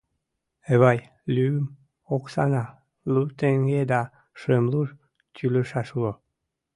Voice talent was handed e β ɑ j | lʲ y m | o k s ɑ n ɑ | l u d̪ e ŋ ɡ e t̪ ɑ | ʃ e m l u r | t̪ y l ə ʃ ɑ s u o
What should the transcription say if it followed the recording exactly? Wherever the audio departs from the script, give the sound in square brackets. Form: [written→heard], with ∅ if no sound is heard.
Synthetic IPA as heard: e β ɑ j | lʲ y m | o k s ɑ n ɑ | l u [d̪→t̪] e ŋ ɡ e [t̪→d̪] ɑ | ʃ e m l u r | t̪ y l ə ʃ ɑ [s→ʃ] u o